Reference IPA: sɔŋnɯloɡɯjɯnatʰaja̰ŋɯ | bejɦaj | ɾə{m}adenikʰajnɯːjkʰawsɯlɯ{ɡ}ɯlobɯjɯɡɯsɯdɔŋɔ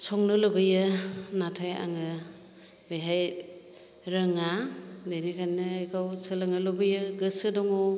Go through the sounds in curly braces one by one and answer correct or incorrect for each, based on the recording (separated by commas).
incorrect, incorrect